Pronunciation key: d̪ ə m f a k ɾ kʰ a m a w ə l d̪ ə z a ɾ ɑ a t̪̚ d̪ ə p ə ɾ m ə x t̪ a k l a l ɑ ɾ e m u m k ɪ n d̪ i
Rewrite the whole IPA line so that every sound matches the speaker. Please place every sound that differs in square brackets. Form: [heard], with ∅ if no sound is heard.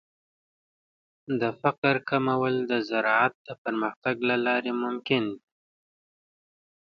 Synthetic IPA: d̪ ə [∅] f a [q] ɾ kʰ a m a w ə l d̪ ə z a ɾ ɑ a t̪̚ d̪ ə p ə ɾ m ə x t̪ a [ɡ] l a l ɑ ɾ e m [ʊ] m k ɪ n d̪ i